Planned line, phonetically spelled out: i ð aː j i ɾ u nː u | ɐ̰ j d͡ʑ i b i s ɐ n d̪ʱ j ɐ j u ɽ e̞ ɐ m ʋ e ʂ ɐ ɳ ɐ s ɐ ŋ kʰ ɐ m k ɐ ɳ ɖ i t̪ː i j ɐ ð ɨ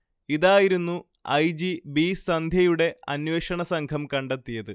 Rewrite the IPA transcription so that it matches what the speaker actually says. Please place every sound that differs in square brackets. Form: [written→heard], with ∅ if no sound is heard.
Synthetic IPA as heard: i ð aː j i ɾ u nː u | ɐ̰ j d͡ʑ i b i s ɐ n d̪ʱ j ɐ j u ɽ e̞ ɐ [m→n] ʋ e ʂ ɐ ɳ ɐ s ɐ ŋ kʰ ɐ m k ɐ ɳ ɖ [i→e] t̪ː i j ɐ ð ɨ